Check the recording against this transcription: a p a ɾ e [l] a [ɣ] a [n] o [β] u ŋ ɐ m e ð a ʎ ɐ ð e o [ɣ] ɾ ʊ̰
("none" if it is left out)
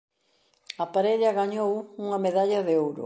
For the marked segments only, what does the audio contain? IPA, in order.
ʎ, ɣ, ɲ, w, w

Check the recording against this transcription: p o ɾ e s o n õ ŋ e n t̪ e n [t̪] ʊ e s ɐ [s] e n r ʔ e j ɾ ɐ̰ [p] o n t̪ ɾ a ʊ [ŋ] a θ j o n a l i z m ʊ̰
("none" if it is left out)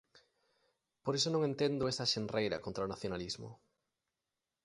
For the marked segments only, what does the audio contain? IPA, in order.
d̪, ʃ, k, n

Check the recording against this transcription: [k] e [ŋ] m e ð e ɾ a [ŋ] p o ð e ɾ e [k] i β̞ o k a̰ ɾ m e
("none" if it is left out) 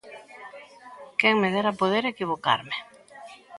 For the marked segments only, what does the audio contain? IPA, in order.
k, ŋ, none, k

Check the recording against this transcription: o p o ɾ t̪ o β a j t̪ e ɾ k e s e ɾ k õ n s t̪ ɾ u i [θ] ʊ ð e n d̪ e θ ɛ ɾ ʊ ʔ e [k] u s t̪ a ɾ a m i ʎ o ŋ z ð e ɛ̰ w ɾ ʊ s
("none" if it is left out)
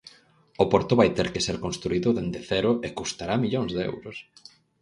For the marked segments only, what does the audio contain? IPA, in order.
ð, k

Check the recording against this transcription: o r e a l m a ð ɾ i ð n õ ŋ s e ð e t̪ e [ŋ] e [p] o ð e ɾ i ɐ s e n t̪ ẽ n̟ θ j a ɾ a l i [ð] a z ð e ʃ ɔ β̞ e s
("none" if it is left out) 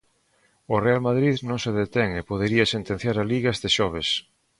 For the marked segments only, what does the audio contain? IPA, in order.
ŋ, p, ɣ

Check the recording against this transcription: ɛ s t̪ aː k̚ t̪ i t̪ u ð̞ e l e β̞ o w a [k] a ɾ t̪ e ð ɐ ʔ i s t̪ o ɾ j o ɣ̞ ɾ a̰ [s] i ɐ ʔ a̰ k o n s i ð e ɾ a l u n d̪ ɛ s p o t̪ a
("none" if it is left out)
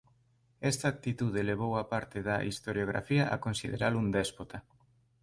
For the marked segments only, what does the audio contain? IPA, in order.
p, f

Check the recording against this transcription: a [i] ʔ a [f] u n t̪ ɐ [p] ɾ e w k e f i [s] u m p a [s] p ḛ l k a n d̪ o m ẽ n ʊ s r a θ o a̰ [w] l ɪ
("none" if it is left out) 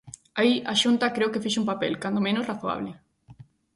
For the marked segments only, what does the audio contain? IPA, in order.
i, ʃ, k, ʃ, none, β

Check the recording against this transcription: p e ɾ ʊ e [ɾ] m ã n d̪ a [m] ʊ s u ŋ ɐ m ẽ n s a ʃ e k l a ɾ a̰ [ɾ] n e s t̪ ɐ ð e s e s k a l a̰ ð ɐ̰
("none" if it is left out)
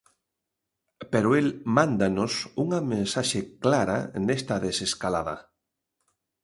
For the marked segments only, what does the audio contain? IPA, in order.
l, n, none

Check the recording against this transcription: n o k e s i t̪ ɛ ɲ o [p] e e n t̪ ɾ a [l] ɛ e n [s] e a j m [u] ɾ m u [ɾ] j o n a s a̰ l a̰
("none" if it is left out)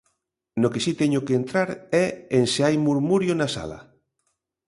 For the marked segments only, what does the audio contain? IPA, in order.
k, ɾ, s, u, ɾ

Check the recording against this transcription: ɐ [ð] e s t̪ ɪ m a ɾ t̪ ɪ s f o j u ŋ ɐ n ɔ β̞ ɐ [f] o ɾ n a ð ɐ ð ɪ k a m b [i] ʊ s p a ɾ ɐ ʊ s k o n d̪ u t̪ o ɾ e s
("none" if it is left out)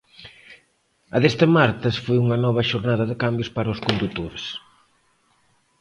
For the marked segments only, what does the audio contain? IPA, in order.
ð, ʃ, j

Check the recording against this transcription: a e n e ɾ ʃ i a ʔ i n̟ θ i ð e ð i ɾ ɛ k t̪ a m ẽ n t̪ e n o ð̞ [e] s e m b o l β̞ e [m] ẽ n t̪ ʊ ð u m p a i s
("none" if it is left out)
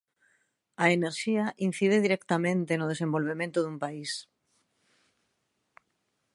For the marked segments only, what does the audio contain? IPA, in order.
e, m

